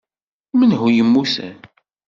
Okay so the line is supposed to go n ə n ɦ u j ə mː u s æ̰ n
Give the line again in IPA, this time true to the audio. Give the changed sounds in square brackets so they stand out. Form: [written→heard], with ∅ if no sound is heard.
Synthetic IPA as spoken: [n→m] ə n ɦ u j ə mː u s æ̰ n